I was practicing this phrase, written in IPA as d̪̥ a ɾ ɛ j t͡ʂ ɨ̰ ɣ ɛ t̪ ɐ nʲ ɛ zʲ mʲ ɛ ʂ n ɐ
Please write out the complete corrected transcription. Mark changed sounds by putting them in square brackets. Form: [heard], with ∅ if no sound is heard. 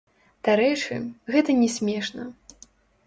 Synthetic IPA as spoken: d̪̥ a ɾ ɛ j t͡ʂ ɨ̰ ɣ ɛ t̪ ɐ nʲ ɛ [sʲ] mʲ ɛ ʂ n ɐ